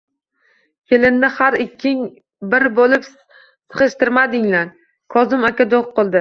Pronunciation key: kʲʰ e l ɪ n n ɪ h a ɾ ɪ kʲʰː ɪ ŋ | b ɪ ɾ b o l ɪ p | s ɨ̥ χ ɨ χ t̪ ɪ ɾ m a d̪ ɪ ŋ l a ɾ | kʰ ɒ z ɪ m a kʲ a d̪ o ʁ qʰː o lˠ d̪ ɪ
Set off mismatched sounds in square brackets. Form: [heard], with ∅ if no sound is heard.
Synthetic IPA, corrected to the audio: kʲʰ e l ɪ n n ɪ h a ɾ ɪ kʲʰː ɪ ŋ | b ɪ ɾ b o l ɪ p | s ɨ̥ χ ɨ [ʃ] t̪ ɪ ɾ m a d̪ ɪ ŋ l a ɾ | kʰ ɒ z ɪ m a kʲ a d̪ o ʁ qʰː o lˠ d̪ ɪ